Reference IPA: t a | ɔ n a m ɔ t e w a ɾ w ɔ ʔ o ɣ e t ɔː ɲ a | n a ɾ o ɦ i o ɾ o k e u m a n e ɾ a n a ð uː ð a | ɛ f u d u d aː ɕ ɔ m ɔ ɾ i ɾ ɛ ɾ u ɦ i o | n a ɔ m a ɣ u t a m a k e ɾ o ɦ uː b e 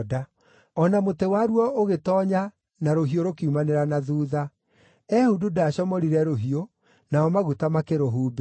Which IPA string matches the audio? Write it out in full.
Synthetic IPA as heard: d a | ɔ n a m o t e w a ɾ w ɔ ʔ o ɣ e t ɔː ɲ a | n a ɾ o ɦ i o ɾ o k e u m a n e ɾ a n a ð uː ð a | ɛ h u d u d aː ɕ ɔ m ɔ ɾ i ɾ ɛ ɾ o ɦ i o | n a ɔ m a ɣ u t a m a k e ɾ o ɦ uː b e